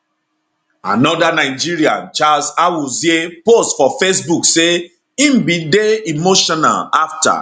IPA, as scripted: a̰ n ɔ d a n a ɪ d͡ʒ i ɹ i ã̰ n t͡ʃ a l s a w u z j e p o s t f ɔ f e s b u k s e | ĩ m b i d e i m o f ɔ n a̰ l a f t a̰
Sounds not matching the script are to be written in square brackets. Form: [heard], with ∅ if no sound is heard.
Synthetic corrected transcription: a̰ n ɔ d a n a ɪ d͡ʒ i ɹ i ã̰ n t͡ʃ a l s a w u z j e p o s t f ɔ f e s b u k s e | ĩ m b i d e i m o [ʃ] ɔ n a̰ l a f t a̰